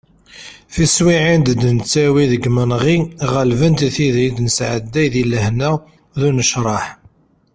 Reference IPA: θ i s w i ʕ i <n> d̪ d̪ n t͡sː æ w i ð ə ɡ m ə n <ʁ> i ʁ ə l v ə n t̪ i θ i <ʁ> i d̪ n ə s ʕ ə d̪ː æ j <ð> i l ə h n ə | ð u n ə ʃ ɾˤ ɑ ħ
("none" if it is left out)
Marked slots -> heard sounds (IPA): n, ʁ, ð, ð

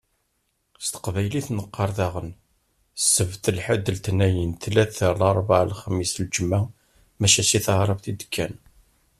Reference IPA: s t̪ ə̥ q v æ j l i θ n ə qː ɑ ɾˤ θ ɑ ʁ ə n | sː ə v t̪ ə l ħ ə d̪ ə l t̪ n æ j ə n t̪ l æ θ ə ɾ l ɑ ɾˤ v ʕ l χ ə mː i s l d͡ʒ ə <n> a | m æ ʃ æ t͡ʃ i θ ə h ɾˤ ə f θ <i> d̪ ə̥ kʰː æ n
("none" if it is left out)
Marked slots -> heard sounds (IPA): m, i

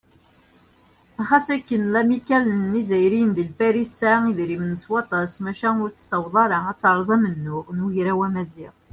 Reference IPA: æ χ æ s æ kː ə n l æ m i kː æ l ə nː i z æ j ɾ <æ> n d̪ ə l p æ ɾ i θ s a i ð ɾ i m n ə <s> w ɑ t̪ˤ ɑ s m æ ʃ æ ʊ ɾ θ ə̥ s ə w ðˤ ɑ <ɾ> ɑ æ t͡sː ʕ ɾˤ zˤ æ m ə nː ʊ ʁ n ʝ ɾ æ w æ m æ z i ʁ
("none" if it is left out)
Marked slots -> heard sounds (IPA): i, s, ɾ

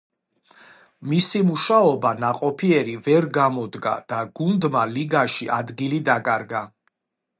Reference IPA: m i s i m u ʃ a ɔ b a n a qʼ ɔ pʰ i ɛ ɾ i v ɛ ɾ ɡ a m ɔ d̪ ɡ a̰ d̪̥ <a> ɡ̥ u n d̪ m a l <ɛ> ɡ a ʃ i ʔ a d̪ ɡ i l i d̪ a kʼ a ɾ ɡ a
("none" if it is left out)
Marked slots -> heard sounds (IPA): a, i

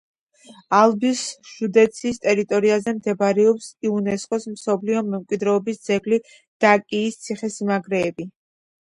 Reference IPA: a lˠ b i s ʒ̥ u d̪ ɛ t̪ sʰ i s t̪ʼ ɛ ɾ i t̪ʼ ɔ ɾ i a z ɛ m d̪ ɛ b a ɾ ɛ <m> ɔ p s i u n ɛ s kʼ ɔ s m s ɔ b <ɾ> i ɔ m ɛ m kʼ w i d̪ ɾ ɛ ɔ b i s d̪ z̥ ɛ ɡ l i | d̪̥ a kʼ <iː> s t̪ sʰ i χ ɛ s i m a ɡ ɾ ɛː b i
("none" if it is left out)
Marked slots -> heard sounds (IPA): none, l, iː

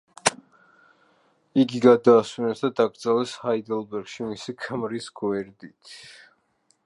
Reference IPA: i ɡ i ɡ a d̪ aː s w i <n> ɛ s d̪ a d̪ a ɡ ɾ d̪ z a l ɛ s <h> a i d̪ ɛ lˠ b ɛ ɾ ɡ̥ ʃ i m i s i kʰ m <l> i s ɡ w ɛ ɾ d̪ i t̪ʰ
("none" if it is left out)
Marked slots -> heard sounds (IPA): n, h, ɾ

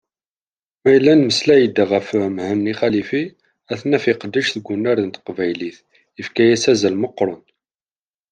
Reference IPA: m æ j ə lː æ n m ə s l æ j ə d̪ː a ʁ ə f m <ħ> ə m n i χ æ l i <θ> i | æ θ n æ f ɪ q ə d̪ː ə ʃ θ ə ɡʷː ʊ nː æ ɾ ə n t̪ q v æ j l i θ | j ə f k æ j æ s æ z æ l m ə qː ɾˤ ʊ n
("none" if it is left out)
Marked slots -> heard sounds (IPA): h, f

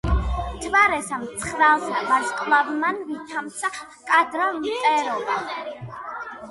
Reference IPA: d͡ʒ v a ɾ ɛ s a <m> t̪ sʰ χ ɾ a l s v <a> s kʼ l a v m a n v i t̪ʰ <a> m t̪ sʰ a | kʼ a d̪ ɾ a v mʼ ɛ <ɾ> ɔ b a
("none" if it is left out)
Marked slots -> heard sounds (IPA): m, a, a, ɾ

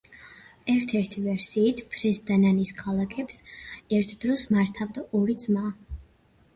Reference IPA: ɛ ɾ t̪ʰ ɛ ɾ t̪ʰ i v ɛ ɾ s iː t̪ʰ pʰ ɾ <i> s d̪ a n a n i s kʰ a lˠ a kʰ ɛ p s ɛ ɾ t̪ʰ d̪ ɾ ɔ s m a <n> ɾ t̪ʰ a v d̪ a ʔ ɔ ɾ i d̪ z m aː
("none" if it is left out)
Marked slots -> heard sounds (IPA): ɛ, none

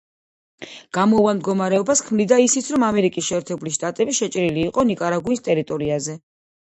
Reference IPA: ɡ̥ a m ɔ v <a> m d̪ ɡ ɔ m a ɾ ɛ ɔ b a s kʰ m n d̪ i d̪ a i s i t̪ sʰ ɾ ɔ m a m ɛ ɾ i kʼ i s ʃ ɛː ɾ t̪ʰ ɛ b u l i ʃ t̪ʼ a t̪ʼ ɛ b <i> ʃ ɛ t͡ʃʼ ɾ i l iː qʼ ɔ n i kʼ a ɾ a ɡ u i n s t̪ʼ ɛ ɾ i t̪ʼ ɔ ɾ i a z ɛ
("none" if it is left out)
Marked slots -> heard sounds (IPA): a, i

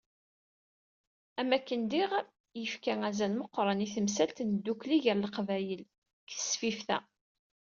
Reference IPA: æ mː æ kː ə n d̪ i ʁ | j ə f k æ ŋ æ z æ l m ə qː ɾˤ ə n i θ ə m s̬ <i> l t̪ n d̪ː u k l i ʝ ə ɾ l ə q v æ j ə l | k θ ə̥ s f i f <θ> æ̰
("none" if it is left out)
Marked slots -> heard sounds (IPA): æ, θ

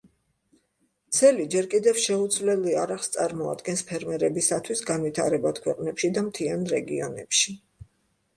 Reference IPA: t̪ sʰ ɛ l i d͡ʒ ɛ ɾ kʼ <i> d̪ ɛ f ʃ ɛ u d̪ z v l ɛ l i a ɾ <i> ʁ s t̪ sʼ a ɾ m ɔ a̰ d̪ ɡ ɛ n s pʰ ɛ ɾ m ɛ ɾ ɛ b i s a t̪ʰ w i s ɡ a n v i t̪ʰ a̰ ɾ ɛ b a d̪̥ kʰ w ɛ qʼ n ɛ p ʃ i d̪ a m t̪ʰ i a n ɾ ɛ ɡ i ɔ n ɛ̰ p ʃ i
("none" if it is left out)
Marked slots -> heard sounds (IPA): i, a

